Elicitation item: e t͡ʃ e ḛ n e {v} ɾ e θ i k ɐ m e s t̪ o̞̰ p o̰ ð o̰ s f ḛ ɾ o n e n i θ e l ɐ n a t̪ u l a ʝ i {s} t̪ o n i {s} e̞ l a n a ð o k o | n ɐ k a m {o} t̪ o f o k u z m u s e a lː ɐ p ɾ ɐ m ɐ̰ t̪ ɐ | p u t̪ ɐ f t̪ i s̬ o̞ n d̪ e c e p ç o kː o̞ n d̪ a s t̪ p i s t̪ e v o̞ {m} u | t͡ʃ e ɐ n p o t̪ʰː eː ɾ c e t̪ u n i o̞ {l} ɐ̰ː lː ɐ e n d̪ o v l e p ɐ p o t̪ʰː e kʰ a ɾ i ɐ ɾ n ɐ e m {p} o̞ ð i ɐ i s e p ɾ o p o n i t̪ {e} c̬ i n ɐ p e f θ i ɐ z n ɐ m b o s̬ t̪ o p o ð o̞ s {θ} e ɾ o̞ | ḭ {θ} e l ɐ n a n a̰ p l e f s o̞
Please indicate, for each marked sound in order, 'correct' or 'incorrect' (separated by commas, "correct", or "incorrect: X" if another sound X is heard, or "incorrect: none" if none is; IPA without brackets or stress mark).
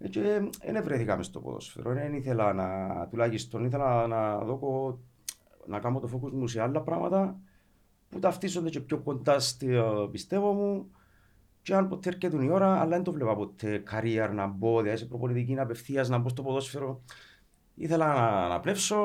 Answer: correct, correct, incorrect: θ, correct, correct, incorrect: ɾ, incorrect: b, incorrect: i, incorrect: f, correct